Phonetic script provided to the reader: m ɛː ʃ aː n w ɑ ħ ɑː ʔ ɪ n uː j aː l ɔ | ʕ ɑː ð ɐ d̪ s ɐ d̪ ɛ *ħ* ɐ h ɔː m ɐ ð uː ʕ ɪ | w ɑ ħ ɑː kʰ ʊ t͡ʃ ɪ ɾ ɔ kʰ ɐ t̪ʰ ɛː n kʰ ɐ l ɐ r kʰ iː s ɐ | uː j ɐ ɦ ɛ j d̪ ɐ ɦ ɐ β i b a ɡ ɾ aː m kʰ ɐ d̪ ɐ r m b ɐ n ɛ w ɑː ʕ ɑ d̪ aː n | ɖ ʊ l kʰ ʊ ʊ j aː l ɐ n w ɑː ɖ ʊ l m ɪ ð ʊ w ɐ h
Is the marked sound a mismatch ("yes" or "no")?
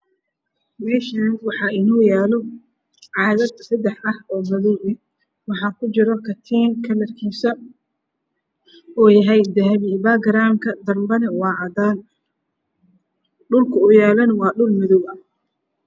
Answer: no